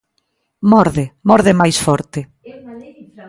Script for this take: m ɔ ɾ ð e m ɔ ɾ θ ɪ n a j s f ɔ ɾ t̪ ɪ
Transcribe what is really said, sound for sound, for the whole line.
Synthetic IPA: m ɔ ɾ ð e m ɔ ɾ ð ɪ m a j s f ɔ ɾ t̪ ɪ